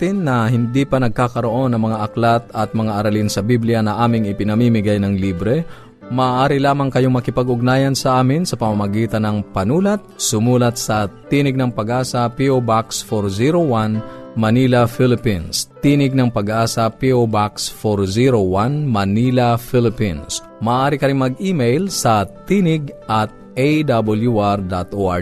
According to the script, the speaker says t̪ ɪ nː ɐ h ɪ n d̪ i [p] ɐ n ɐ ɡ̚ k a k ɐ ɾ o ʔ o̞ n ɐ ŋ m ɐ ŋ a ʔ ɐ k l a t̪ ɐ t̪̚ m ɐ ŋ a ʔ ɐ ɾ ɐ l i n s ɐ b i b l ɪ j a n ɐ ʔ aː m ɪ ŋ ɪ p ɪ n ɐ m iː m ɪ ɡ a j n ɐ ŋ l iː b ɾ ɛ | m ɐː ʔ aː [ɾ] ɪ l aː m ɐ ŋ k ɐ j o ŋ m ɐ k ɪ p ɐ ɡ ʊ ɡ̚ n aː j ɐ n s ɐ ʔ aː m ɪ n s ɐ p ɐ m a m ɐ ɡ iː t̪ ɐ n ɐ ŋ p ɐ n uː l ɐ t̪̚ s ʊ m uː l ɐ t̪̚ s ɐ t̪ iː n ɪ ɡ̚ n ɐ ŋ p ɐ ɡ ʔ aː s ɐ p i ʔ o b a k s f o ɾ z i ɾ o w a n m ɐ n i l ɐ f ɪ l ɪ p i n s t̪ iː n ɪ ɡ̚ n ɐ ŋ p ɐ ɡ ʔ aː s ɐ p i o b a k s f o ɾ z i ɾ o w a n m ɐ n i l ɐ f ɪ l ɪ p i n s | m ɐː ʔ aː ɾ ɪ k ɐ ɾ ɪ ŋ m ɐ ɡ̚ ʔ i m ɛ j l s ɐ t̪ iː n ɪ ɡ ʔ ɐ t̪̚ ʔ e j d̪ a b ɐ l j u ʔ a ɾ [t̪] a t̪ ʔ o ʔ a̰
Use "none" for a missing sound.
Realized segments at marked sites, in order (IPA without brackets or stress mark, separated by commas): p, ɾ, d̪